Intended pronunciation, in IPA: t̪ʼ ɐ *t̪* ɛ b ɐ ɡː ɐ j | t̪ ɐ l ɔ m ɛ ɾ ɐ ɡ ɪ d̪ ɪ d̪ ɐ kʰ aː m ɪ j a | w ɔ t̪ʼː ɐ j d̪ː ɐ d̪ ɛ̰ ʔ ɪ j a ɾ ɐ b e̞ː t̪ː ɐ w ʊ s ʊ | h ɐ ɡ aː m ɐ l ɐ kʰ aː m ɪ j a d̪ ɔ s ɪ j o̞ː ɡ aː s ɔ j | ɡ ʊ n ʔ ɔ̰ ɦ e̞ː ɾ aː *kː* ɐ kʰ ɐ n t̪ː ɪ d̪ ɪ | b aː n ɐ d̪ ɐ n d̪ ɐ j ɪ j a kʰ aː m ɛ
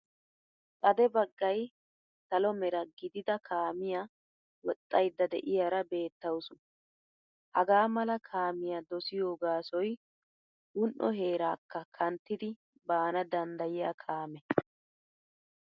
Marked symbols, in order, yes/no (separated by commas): no, yes